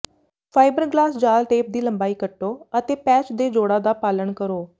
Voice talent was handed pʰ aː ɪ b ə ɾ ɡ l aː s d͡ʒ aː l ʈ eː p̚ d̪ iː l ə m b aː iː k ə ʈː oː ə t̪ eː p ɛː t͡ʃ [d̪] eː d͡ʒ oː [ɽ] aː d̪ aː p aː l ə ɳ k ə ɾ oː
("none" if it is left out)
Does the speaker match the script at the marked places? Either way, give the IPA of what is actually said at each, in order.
d̪, ɽ

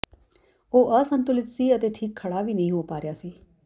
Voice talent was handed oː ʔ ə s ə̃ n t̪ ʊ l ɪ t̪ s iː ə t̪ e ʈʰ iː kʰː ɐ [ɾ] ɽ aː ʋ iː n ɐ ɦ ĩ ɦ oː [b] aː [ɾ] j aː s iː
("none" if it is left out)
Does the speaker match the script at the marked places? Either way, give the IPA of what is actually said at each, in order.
none, p, ɾ

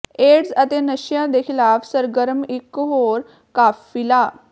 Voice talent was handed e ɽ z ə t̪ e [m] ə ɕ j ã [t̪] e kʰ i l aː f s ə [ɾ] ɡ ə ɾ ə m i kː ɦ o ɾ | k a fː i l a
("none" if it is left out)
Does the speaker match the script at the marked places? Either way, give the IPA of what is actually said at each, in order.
n, d̪, ɾ

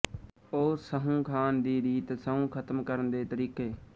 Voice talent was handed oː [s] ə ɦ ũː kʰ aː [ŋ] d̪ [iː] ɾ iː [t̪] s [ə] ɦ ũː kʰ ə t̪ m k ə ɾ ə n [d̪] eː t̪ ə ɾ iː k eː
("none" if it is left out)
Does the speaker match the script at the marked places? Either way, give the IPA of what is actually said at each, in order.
s, n, iː, t̪, ə, d̪

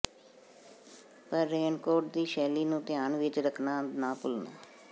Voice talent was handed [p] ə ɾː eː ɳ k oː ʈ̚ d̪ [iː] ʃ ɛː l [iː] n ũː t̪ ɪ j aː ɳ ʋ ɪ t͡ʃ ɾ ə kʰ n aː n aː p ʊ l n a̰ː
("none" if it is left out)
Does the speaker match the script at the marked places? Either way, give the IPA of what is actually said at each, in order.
p, iː, iː

